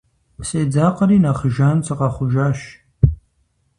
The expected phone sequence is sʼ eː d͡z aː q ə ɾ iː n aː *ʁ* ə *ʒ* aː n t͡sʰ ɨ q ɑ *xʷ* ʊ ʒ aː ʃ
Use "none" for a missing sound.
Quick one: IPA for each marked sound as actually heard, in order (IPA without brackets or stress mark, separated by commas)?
χ, ʒ, χʷ